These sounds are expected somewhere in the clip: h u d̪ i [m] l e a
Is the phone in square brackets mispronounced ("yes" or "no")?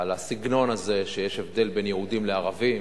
no